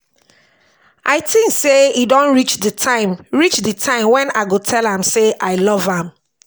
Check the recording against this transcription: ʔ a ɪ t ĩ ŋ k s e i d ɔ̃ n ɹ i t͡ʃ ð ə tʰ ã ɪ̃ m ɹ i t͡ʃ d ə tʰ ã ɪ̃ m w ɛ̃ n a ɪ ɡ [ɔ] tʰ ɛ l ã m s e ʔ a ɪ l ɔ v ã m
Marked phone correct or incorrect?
incorrect